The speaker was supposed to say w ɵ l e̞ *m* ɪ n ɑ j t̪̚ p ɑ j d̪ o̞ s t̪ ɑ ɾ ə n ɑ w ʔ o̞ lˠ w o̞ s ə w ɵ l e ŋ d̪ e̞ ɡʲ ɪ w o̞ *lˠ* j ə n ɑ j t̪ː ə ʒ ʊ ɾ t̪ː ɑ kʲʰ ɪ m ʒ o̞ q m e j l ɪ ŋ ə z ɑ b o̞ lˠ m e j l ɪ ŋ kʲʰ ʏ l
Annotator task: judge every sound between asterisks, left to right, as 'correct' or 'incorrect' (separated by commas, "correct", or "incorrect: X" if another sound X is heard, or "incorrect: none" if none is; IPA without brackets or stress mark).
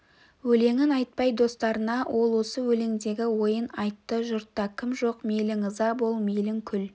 incorrect: ŋ, incorrect: none